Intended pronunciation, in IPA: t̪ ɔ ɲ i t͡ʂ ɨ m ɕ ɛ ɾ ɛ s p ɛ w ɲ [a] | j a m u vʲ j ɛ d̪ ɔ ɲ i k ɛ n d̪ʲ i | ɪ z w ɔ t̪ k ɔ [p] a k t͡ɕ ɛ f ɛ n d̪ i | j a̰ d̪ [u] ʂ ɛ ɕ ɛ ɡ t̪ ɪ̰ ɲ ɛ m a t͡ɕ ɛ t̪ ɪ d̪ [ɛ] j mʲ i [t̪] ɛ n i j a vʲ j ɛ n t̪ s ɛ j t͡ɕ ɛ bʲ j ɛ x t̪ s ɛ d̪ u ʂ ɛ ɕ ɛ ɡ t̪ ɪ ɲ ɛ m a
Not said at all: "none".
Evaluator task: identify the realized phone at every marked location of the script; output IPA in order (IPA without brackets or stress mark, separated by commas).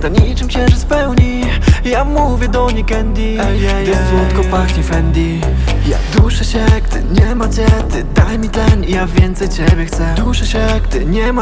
i, p, u, a, t̪